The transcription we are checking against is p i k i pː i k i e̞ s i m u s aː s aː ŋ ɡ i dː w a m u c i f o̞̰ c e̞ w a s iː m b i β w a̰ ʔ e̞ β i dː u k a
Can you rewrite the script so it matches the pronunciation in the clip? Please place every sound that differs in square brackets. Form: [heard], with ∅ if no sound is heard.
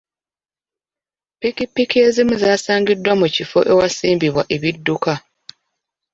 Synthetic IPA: p i k i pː i k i e̞ [z] i m u [z] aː s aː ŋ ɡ i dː w a m u c i f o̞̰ [ʔ] e̞ w a s iː m b i β w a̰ ʔ e̞ β i dː u k a